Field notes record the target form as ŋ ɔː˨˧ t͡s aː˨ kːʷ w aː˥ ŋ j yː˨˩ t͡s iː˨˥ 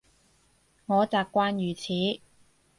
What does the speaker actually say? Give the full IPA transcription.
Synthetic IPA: ŋ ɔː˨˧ t͡s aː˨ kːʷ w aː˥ n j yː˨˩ t͡sʰ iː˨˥